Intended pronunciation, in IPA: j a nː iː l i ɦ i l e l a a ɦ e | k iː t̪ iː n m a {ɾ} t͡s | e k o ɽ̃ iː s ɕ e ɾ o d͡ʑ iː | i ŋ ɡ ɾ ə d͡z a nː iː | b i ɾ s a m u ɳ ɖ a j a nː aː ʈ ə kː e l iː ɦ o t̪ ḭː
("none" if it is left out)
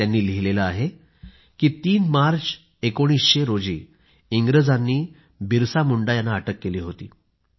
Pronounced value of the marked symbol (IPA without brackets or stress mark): ɾ